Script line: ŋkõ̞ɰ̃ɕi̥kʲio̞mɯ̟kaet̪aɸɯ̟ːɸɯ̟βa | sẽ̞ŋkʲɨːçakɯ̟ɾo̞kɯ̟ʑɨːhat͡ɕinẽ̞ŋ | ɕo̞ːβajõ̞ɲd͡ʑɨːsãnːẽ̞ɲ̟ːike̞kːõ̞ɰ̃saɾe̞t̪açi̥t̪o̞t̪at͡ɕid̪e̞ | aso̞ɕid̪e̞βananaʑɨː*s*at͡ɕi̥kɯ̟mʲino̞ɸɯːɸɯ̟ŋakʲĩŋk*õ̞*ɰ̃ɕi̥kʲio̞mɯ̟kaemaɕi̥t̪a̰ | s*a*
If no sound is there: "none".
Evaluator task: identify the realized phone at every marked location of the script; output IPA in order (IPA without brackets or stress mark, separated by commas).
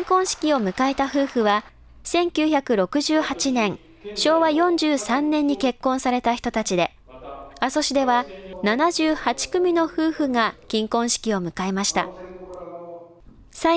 h, õ̞, a